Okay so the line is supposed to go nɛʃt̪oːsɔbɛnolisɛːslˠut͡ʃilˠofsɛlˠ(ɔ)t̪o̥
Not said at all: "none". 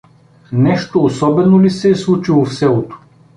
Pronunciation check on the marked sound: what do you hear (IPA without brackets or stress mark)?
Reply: o